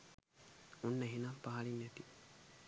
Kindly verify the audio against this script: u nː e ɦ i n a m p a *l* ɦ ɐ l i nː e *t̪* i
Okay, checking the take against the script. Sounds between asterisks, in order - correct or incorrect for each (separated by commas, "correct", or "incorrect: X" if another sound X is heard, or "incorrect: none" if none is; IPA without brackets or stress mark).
incorrect: none, correct